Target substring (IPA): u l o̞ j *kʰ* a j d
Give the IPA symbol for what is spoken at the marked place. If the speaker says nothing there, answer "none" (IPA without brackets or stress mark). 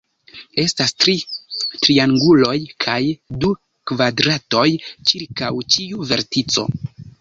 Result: kʰ